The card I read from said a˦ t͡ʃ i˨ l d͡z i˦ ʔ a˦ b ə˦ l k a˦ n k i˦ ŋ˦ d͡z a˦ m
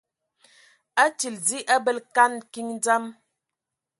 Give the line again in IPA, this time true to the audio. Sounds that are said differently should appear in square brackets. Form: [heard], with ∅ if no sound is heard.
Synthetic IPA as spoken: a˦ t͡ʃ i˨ l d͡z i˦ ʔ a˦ b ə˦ l k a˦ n k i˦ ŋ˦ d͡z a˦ m